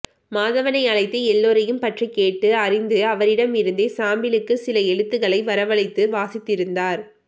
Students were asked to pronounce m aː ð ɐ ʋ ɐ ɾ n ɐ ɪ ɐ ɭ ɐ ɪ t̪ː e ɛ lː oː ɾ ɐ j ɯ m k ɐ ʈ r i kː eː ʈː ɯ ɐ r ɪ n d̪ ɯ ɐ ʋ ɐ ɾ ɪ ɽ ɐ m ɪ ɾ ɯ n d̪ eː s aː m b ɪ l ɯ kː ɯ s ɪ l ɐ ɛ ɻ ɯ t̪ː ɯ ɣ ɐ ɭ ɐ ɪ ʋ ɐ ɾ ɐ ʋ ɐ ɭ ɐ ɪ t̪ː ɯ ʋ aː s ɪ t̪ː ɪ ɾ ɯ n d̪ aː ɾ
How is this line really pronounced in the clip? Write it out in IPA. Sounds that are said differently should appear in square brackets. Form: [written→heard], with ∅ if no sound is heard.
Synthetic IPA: m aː ð ɐ ʋ ɐ [ɾ→∅] n ɐ ɪ ɐ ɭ ɐ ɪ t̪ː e ɛ lː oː ɾ ɐ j ɯ m [k→p] ɐ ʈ r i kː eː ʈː ɯ ɐ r ɪ n d̪ ɯ ɐ ʋ ɐ ɾ ɪ ɽ ɐ m ɪ ɾ ɯ n d̪ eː s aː m b ɪ l ɯ kː ɯ s ɪ l ɐ ɛ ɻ ɯ t̪ː ɯ ɣ ɐ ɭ ɐ ɪ ʋ ɐ ɾ ɐ ʋ ɐ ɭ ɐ ɪ t̪ː ɯ ʋ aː s ɪ t̪ː ɪ ɾ ɯ n d̪ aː ɾ